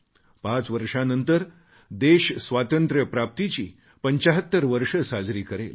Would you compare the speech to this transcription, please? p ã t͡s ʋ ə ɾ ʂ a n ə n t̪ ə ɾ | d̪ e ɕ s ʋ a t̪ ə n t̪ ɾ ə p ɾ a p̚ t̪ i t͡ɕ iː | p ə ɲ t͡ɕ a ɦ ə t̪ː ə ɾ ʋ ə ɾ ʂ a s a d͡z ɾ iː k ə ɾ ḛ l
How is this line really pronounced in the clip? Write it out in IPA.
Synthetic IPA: p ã t͡s ʋ ə ɾ ʂ a n ə n t̪ ə ɾ | d̪ e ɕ s ʋ a t̪ ə n t̪ ɾ ə p ɾ a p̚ t̪ i t͡ɕ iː | p ə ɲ t͡ɕ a ɦ ə t̪ː ə ɾ ʋ ə ɾ ʂ ə s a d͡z ɾ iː k ə ɾ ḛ l